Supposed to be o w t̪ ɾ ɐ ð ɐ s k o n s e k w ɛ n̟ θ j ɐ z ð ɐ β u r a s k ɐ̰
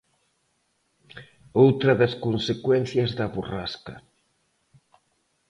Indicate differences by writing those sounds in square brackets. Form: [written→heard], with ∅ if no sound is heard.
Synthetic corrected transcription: o w t̪ ɾ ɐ ð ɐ s k o n s e k w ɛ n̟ θ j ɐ z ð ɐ β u r a s k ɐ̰